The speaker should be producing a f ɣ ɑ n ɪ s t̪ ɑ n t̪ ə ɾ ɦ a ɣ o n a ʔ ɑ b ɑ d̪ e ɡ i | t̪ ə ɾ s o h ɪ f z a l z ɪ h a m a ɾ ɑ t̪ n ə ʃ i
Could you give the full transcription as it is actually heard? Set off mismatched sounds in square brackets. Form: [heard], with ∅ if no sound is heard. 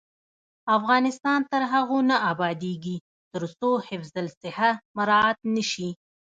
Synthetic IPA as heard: a f ɣ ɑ n ɪ s t̪ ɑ n t̪ ə ɾ ɦ a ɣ o n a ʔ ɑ b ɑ d̪ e ɡ i | t̪ ə ɾ s o h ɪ f z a l [s] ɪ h a m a ɾ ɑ t̪ n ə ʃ i